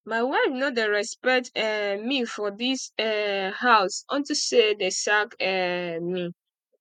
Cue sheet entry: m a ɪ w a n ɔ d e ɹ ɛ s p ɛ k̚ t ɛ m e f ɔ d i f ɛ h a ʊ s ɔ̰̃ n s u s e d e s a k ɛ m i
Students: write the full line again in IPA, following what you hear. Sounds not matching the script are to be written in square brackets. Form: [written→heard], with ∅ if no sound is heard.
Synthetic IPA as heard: m a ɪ w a n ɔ d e ɹ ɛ s p ɛ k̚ t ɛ m [e→i] f ɔ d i [f→s] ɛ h a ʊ s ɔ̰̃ n [s→t] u s e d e s a k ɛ m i